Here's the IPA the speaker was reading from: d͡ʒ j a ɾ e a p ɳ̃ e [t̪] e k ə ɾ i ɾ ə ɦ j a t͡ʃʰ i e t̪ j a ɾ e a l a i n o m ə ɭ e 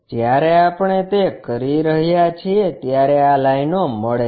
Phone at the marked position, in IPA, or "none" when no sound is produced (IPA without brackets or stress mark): t̪